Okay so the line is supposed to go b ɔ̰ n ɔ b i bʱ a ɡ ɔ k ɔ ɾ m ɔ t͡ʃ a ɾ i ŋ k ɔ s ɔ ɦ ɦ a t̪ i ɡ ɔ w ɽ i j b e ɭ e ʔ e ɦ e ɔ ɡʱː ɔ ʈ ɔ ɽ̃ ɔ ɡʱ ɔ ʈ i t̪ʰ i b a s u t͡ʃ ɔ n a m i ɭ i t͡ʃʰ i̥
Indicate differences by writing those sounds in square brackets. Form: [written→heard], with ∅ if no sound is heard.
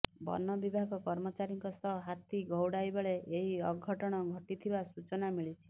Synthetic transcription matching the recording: b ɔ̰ n ɔ b i bʱ a ɡ ɔ k ɔ ɾ m ɔ t͡ʃ a ɾ i ŋ k ɔ s ɔ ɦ ɦ a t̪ i ɡ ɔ w ɽ [i→a] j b e ɭ e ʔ e ɦ [e→i] ɔ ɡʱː ɔ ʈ ɔ ɽ̃ ɔ ɡʱ ɔ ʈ i t̪ʰ i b a s u t͡ʃ ɔ n a m i ɭ i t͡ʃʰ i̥